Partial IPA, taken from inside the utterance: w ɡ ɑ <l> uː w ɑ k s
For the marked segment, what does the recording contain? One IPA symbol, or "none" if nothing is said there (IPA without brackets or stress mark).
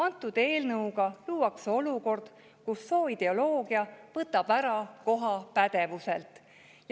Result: l